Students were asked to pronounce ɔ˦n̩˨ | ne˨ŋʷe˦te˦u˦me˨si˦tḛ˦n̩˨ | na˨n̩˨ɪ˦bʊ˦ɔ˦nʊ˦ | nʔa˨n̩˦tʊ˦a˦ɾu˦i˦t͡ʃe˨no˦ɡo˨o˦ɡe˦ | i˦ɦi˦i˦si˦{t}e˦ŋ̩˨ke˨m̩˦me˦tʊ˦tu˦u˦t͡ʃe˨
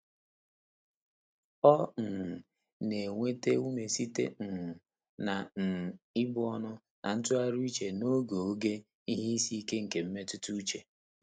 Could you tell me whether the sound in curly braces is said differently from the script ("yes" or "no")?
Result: yes